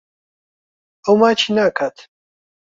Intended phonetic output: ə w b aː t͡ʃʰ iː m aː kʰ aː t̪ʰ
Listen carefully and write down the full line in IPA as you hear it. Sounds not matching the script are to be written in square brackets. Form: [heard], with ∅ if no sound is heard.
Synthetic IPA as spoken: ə w [m] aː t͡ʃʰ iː [n] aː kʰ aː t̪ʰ